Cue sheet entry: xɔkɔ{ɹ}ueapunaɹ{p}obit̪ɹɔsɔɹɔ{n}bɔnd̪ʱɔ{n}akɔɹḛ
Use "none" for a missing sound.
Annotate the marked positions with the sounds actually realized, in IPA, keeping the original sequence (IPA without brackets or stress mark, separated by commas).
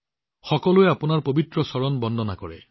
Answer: l, p, n, n